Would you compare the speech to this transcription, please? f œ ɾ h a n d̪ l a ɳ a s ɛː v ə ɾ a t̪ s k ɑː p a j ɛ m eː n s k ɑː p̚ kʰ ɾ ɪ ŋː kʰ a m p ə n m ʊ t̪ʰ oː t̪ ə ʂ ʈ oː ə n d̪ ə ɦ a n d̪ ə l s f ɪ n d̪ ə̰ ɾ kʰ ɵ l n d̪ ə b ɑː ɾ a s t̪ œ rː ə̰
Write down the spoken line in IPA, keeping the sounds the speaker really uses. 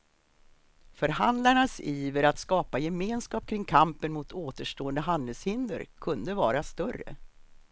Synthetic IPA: f œ ɾ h a n d̪ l a ɳ a s iː v ə ɾ a t̪ s k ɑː p a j ɛ m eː n s k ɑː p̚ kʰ ɾ ɪ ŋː kʰ a m p ə n m ʊ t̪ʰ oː t̪ ə ʂ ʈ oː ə n d̪ ə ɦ a n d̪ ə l s h ɪ n d̪ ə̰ ɾ kʰ ɵ n d̪ ə v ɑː ɾ a s t̪ œ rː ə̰